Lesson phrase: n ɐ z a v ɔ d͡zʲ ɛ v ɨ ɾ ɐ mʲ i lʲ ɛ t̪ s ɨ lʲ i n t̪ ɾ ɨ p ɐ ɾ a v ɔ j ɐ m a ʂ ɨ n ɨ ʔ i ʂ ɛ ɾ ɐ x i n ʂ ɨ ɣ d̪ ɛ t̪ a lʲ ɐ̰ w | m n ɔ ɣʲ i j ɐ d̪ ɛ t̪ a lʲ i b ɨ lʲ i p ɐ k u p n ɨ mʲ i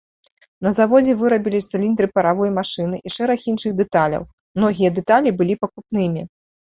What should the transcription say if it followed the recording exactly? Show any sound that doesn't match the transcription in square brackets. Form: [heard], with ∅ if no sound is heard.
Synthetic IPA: n ɐ z a v ɔ d͡zʲ ɛ v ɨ ɾ ɐ [bʲ] i lʲ [i] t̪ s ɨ lʲ i n [d̪] ɾ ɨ p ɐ ɾ a v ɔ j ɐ m a ʂ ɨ n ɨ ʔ i ʂ ɛ ɾ ɐ x i n ʂ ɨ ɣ d̪ ɛ t̪ a lʲ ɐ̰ w | m n ɔ ɣʲ i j ɐ d̪ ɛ t̪ a lʲ i b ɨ lʲ i p ɐ k u p n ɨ mʲ i